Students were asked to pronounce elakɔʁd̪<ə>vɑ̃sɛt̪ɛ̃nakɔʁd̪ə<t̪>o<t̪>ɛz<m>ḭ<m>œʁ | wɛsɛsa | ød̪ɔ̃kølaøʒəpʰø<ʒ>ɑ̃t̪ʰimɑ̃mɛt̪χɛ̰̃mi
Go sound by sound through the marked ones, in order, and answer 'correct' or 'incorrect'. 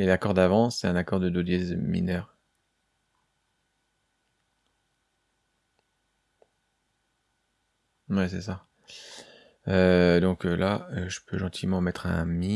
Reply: incorrect: a, incorrect: d̪, incorrect: d̪, correct, incorrect: n, correct

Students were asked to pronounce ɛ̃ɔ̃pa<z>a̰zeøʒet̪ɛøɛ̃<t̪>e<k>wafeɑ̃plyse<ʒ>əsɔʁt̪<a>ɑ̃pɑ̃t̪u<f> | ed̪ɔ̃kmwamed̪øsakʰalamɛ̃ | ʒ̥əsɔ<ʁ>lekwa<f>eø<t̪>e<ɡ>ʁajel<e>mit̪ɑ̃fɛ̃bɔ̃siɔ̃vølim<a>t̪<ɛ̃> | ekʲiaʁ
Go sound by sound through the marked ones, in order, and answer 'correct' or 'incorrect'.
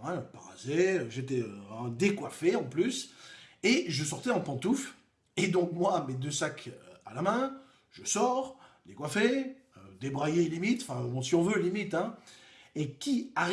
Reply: incorrect: ʁ, incorrect: d̪, correct, correct, incorrect: ɛ, correct, correct, correct, incorrect: d̪, incorrect: b, incorrect: i, incorrect: i, correct

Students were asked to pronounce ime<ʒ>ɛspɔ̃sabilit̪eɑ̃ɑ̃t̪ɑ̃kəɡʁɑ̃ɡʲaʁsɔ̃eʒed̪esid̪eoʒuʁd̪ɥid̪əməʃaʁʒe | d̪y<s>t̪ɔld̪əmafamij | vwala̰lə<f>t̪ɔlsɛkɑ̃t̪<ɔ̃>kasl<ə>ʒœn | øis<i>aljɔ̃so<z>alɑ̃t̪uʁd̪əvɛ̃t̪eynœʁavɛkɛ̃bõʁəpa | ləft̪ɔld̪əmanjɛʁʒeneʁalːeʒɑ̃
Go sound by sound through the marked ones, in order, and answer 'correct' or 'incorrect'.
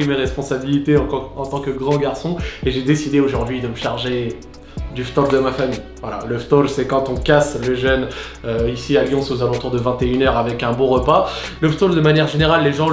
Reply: incorrect: ʁ, incorrect: f, correct, correct, correct, correct, correct

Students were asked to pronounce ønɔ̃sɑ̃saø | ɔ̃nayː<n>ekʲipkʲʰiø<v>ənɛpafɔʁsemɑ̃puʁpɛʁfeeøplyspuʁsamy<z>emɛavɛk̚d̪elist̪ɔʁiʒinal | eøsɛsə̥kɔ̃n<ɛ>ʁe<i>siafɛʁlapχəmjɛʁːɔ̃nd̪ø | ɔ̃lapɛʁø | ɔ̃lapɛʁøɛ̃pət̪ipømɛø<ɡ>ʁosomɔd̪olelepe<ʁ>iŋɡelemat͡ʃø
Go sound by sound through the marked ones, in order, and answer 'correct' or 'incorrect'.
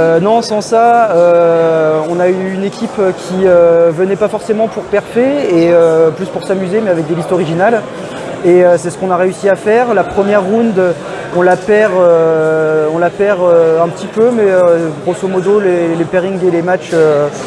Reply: correct, correct, correct, incorrect: a, incorrect: y, correct, correct

